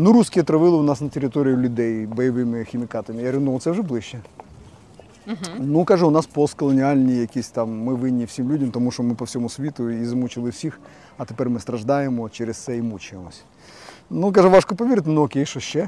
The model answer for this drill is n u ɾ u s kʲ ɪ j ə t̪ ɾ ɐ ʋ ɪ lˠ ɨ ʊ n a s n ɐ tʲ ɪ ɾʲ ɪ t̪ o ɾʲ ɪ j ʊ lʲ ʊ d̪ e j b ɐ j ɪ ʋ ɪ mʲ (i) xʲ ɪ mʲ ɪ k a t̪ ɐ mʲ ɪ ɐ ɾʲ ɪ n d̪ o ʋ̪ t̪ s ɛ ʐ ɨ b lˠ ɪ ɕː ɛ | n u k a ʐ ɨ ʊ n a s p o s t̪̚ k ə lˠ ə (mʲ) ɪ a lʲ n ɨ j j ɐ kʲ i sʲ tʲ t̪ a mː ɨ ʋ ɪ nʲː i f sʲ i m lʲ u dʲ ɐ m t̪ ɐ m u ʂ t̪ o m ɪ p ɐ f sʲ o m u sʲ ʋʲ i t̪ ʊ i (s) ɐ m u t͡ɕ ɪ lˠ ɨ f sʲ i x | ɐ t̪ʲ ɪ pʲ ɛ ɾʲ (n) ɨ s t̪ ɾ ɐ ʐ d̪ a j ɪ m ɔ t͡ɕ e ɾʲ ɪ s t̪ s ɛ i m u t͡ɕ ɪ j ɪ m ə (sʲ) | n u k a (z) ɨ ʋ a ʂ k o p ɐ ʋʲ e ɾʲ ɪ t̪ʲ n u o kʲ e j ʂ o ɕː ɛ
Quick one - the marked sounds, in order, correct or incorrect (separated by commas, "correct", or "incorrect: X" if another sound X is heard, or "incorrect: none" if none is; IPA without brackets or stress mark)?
incorrect: ɪ, incorrect: nʲ, incorrect: z, incorrect: m, correct, incorrect: ʐ